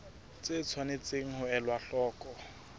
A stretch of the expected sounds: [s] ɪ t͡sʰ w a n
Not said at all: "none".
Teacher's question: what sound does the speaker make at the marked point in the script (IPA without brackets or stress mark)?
t͡s